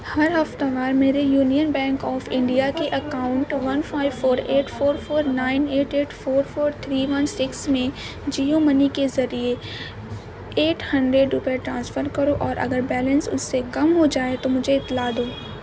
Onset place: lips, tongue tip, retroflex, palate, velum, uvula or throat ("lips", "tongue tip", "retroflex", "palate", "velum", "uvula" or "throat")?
throat